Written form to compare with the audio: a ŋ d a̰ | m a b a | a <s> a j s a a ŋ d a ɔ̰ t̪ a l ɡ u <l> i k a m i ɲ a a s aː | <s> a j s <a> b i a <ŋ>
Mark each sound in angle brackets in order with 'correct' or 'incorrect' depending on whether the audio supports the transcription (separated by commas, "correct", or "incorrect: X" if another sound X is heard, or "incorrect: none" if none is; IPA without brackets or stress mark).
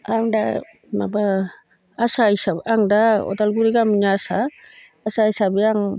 correct, incorrect: ɾ, correct, correct, correct